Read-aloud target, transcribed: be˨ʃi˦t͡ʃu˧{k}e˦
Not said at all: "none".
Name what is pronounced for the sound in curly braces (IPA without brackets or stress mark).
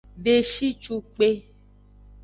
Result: k͡p